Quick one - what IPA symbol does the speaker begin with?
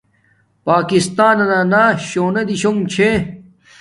p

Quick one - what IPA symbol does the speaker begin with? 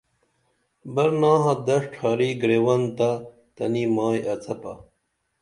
b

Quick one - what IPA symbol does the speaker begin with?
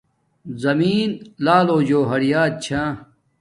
z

